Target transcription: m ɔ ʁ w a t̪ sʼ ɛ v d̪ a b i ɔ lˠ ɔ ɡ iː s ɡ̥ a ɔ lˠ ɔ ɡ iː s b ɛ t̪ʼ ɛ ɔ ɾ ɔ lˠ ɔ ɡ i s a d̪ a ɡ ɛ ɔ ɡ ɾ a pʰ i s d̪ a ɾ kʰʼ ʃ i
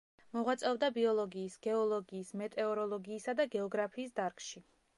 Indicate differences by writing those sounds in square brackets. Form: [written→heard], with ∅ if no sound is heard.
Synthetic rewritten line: m ɔ ʁ w a t̪ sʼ ɛ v d̪ a b i ɔ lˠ ɔ ɡ iː s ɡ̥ [a→ɛ] ɔ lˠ ɔ ɡ iː s [b→m] ɛ t̪ʼ ɛ ɔ ɾ ɔ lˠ ɔ ɡ [i→iː] s a d̪ a ɡ ɛ ɔ ɡ ɾ a pʰ [i→iː] s d̪ a ɾ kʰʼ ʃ i